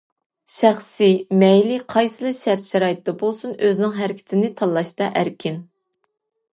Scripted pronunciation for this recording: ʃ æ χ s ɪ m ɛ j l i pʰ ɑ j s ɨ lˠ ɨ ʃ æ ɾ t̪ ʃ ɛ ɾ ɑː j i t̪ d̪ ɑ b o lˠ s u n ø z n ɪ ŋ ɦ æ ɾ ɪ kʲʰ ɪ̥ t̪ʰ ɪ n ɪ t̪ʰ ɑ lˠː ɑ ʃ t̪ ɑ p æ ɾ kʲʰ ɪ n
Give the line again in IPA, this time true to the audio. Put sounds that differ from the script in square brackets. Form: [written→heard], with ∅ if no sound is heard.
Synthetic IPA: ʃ æ χ s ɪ m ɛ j l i [pʰ→qʰ] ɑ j s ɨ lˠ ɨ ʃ æ ɾ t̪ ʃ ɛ ɾ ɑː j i t̪ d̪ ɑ b o lˠ s u n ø z n ɪ ŋ ɦ æ ɾ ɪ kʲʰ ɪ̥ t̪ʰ ɪ n ɪ t̪ʰ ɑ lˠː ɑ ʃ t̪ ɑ [p→ʔ] æ ɾ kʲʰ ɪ n